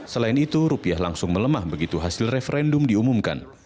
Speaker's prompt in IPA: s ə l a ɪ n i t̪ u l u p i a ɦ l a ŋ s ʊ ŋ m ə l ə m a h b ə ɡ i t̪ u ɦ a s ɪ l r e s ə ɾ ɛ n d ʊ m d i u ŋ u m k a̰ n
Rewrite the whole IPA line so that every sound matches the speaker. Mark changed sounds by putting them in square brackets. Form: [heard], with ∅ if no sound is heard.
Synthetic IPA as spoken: s ə l a ɪ n i t̪ u [ɾ] u p i a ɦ l a ŋ s ʊ ŋ m ə l ə m a h b ə ɡ i t̪ u ɦ a s ɪ l r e [f] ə ɾ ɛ n d ʊ m d i u [m] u m k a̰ n

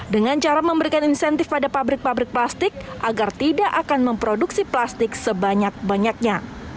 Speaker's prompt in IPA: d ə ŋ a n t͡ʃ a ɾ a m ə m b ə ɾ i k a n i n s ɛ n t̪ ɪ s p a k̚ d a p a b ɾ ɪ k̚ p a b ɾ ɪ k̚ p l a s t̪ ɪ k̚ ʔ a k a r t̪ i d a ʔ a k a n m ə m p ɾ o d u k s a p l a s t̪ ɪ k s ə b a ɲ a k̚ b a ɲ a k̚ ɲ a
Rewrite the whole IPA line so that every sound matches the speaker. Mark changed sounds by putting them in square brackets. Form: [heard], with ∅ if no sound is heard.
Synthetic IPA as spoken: d ə ŋ a n t͡ʃ a ɾ a m ə m b ə ɾ i k a n i n s ɛ n t̪ ɪ [f] p a [∅] d a p a b ɾ ɪ k̚ p a b ɾ ɪ k̚ p l a s t̪ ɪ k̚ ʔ a [ɡ] a r t̪ i d a ʔ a k a n m ə m p ɾ o d u k s [i] p l a s t̪ ɪ k s ə b a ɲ a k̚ b a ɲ a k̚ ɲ a

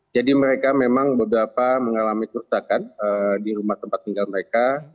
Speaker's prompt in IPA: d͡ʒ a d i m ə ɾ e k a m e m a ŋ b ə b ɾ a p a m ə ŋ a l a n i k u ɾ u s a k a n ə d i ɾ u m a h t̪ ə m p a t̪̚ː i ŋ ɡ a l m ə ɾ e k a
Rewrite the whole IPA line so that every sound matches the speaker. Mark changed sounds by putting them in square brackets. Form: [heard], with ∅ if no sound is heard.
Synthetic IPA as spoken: d͡ʒ a d i m ə ɾ e k a m e m a ŋ b ə b ɾ a p a m ə ŋ a l a [m] i k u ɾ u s a k a n ə d i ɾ u m a h t̪ ə m p a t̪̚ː i ŋ ɡ a l m ə ɾ e k a

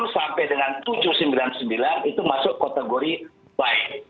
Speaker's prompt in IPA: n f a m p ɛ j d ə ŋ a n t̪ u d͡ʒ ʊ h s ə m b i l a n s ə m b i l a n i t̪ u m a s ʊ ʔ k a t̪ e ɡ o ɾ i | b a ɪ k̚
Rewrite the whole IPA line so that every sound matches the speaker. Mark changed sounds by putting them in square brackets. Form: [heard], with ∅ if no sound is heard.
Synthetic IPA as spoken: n [s] a m p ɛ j d ə ŋ a n t̪ u d͡ʒ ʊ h s ə m b i l a n s ə m b i l a n i t̪ u m a s ʊ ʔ k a t̪ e ɡ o ɾ i | b a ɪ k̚

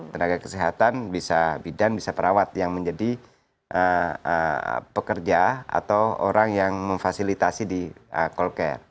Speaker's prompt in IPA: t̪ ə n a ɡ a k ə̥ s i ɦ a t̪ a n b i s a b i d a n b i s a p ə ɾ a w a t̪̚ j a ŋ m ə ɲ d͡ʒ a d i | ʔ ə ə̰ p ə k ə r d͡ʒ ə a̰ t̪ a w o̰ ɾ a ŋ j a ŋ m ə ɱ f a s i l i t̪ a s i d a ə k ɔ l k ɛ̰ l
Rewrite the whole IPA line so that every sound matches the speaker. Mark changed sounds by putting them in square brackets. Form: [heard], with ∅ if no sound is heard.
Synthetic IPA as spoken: t̪ ə n a ɡ a k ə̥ s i ɦ a t̪ a n b i s a b i d a n b i s a p ə ɾ a w a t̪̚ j a ŋ m ə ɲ d͡ʒ a d i | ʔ ə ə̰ p ə k ə r d͡ʒ [a] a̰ t̪ a w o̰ ɾ a ŋ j a ŋ m ə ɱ f a s i l i t̪ a s i d [i] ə k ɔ l k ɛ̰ [r]

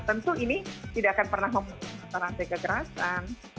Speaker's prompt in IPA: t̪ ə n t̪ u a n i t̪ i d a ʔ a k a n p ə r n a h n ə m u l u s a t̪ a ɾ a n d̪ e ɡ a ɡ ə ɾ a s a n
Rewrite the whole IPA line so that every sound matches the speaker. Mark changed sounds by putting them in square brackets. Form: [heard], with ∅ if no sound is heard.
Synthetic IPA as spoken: t̪ ə n t̪ u [i] n i t̪ i d a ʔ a k a n p ə r n a h [m] ə m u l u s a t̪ a ɾ a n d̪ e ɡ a ɡ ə ɾ a s a n

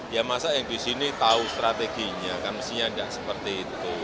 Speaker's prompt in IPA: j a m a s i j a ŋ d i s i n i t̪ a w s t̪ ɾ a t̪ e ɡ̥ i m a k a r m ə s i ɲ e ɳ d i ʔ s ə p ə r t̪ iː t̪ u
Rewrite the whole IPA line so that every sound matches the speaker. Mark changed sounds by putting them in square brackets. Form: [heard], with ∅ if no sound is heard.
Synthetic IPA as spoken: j a m a s [a] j a ŋ d i s i n i t̪ a [u] s t̪ ɾ a t̪ e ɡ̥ i [ɲ] a k a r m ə s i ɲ [a] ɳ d [a] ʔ s ə p ə r t̪ iː t̪ u

